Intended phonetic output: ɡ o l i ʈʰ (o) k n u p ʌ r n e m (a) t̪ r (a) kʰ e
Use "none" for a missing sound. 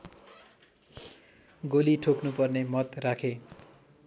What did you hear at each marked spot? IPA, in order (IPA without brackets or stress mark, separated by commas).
o, ʌ, a